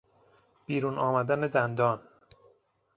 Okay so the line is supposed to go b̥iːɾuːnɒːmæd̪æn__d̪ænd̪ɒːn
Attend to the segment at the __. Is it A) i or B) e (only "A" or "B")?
B